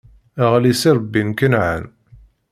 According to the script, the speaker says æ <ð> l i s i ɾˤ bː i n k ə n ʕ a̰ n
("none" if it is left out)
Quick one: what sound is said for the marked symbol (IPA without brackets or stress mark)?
ʁ